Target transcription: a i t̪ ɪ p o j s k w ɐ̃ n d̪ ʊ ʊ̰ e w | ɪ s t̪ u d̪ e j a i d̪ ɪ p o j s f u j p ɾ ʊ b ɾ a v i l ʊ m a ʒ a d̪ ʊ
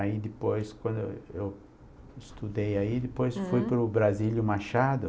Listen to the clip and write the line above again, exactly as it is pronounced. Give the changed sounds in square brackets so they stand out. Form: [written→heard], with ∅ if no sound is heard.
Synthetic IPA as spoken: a i [t̪→d̪] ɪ p o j s k w ɐ̃ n d̪ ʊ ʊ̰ e w | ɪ s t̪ u d̪ e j a i d̪ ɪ p o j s f u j p ɾ ʊ b ɾ a [v→z] i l ʊ m a [ʒ→ʃ] a d̪ ʊ